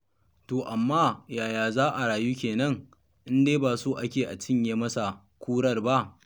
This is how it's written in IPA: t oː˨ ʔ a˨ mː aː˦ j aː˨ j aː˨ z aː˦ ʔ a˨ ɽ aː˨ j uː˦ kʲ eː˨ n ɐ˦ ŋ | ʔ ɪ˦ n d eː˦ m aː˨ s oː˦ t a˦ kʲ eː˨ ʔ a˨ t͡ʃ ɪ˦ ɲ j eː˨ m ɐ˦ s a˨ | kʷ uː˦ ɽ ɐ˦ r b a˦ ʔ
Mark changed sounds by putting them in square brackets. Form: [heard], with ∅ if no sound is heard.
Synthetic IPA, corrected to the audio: t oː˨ ʔ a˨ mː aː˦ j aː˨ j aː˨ z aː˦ ʔ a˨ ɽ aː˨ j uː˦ kʲ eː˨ n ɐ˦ ŋ | ʔ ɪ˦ n d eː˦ [b] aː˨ s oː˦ [ʔ] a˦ kʲ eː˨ ʔ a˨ t͡ʃ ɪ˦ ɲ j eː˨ m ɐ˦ s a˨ | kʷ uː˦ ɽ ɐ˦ r b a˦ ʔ